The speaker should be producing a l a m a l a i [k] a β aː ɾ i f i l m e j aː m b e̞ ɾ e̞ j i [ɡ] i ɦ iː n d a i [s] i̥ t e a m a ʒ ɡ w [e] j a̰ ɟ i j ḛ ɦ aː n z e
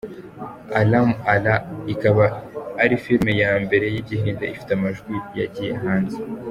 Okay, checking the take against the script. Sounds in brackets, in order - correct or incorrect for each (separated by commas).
correct, incorrect, incorrect, incorrect